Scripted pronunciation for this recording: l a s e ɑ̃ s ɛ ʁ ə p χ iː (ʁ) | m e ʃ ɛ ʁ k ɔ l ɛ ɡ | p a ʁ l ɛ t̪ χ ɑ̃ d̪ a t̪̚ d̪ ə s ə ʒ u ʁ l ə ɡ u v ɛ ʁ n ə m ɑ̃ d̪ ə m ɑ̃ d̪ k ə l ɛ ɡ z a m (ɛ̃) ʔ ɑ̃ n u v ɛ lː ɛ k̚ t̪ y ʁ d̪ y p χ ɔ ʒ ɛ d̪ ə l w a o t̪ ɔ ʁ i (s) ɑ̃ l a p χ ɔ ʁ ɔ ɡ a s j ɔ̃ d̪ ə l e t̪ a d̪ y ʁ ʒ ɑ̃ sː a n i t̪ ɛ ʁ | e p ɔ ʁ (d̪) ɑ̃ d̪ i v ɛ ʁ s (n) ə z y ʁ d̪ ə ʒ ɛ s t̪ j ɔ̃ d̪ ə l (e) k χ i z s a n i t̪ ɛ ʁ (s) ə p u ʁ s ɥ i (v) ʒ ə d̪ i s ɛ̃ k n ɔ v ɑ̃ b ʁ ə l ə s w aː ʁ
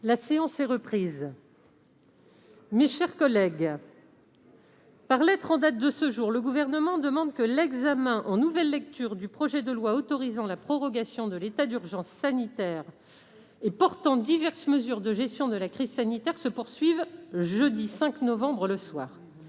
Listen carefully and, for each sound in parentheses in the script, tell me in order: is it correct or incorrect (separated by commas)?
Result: incorrect, correct, incorrect, incorrect, incorrect, incorrect, correct, correct